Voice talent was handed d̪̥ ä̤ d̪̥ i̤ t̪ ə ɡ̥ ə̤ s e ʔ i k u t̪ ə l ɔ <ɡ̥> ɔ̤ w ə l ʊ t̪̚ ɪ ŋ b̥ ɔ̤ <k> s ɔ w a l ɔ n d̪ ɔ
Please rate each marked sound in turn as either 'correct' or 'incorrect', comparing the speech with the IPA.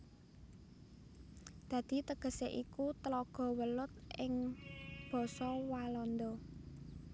correct, incorrect: none

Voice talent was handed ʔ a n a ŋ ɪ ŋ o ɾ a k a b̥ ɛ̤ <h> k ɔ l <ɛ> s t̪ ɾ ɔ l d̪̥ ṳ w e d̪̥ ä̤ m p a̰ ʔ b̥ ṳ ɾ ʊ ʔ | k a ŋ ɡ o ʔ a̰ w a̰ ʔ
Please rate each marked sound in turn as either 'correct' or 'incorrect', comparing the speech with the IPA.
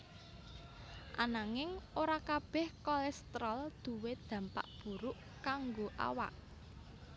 correct, correct

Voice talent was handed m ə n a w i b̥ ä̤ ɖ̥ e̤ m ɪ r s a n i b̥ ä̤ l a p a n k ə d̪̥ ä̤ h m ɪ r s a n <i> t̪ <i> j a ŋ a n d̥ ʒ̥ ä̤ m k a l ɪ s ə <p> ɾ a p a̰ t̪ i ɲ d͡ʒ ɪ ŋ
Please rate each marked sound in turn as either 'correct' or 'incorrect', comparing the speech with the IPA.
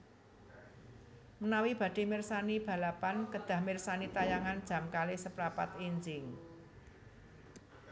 correct, incorrect: a, correct

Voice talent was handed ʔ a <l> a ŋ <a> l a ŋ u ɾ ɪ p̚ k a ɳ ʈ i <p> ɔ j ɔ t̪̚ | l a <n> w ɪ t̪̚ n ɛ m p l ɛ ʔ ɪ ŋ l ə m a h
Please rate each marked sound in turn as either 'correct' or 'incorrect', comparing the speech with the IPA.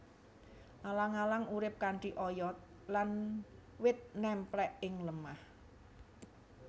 correct, correct, incorrect: ʔ, correct

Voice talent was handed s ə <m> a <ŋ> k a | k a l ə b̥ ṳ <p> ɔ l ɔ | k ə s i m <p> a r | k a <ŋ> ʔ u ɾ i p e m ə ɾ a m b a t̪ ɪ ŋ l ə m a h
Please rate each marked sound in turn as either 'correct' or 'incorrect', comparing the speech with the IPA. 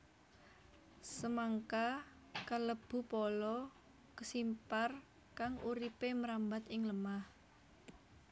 correct, correct, correct, correct, correct

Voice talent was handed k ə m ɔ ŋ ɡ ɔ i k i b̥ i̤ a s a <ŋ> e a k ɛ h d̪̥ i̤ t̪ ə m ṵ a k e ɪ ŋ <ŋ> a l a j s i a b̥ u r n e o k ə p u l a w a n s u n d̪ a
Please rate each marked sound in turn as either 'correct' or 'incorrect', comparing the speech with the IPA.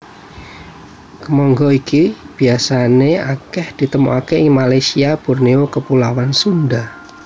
incorrect: n, incorrect: m

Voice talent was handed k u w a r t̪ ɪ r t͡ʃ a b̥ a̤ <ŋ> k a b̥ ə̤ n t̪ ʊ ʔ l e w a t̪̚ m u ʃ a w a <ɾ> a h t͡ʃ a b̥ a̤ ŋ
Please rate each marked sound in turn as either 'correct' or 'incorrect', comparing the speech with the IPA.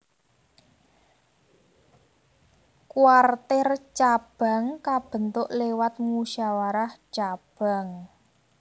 correct, correct

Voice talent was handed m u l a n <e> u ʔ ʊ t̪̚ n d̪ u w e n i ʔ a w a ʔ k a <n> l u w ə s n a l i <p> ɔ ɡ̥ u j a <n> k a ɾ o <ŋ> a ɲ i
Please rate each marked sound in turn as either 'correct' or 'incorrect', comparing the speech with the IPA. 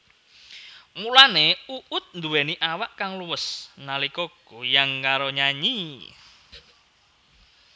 correct, incorrect: ŋ, incorrect: k, incorrect: ŋ, incorrect: ɲ

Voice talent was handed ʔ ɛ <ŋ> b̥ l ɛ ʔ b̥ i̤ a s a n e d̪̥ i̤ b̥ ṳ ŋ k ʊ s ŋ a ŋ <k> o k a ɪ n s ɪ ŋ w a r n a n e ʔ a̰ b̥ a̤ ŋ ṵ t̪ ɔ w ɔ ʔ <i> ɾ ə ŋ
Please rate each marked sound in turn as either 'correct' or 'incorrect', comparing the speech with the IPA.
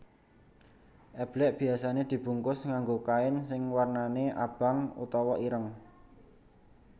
incorrect: none, incorrect: ɡ, correct

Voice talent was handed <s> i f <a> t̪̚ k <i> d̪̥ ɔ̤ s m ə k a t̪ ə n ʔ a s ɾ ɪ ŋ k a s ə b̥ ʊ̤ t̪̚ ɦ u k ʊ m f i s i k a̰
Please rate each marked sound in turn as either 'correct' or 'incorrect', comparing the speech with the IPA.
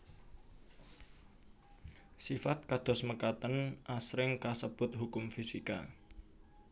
correct, correct, incorrect: a

